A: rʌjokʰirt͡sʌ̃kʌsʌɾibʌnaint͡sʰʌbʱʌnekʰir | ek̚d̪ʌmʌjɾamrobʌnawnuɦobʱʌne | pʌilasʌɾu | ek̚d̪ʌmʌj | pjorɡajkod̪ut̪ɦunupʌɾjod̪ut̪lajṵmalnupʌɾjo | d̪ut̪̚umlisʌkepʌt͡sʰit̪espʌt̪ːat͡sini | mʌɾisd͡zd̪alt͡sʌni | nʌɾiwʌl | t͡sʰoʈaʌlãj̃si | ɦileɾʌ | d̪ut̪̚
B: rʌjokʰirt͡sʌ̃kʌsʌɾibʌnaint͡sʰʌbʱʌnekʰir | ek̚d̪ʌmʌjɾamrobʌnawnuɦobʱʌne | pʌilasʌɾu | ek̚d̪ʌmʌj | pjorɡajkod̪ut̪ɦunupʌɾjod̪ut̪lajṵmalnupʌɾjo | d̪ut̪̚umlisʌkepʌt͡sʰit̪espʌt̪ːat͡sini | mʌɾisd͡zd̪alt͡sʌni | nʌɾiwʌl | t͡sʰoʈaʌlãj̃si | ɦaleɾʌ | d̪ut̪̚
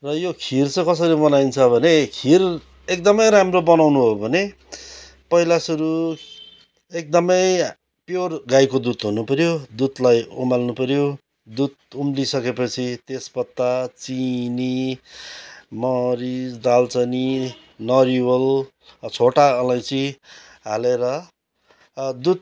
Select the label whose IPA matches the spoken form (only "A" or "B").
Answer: B